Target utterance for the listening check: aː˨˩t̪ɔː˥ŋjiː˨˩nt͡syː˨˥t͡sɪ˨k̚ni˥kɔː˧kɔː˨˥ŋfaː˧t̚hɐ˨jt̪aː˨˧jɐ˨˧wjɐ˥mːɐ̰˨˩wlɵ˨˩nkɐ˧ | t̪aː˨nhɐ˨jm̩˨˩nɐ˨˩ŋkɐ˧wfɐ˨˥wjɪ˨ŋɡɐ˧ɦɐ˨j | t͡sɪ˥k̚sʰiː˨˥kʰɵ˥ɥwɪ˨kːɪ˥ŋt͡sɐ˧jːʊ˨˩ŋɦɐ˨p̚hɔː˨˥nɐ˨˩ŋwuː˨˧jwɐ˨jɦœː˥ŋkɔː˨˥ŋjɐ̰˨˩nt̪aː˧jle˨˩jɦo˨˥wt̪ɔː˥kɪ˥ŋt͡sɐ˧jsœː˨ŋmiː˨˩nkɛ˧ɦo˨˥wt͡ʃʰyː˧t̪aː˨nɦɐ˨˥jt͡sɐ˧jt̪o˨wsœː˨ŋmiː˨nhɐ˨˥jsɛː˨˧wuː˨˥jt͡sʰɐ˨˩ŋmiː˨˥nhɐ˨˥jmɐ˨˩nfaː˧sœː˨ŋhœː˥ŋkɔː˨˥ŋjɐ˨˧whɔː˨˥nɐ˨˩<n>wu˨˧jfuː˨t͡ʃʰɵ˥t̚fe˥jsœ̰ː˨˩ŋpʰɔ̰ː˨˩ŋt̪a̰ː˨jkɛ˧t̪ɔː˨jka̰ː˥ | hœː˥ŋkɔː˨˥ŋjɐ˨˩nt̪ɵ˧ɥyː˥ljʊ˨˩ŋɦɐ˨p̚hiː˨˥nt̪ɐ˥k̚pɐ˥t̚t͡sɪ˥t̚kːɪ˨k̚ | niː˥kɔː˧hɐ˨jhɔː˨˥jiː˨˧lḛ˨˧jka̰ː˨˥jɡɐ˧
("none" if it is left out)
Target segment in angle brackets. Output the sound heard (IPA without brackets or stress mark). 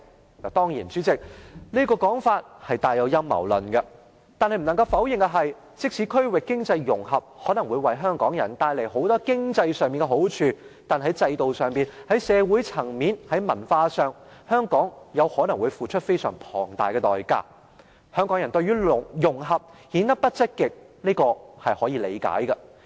ŋ